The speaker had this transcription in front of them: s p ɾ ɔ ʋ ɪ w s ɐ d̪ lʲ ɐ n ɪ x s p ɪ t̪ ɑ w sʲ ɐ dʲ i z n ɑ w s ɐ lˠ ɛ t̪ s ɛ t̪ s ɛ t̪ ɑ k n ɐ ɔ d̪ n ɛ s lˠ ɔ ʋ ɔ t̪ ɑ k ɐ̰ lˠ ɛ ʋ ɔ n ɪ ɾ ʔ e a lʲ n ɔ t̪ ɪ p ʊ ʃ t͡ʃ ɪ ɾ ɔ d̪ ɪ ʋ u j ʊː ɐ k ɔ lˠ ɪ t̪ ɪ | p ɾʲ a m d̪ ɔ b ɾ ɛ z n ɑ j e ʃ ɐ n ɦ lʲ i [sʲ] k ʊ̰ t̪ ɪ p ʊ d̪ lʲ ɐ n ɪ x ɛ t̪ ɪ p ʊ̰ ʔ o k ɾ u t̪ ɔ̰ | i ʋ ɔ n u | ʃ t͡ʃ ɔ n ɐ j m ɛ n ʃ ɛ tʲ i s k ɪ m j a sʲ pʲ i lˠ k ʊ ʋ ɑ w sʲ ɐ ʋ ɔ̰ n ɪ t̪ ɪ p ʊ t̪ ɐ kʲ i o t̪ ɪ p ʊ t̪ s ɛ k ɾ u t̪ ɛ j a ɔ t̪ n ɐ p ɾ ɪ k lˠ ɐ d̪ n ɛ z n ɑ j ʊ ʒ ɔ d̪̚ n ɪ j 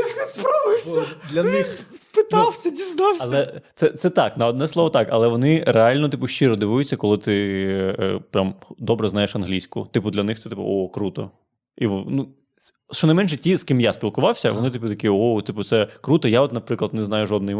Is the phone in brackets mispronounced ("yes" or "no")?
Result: no